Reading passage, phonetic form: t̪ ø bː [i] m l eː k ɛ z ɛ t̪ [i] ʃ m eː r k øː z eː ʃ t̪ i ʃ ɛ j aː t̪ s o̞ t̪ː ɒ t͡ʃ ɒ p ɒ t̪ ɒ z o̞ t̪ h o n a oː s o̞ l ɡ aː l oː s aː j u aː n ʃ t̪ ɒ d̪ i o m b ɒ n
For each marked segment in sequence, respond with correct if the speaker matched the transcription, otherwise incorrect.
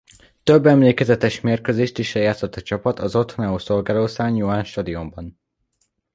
incorrect: ɛ, incorrect: ɛ

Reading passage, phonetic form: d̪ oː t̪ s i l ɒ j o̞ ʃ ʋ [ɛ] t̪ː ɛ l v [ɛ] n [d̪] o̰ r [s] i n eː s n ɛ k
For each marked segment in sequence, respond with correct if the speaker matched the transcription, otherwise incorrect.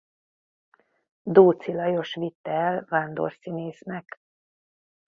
incorrect: i, incorrect: a, correct, correct

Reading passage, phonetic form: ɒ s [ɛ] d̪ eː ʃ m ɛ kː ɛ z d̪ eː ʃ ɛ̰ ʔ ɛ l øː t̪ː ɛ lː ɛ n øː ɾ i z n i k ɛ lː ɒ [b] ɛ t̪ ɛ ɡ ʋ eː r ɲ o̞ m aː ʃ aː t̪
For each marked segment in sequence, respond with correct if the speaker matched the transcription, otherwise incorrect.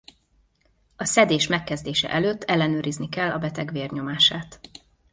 correct, correct

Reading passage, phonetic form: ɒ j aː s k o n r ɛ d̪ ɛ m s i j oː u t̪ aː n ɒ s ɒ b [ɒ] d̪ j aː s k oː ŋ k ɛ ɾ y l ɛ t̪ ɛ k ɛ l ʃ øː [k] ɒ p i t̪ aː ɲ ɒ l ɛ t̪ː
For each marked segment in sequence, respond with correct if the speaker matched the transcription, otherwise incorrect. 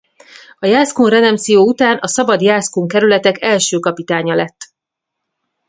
correct, correct

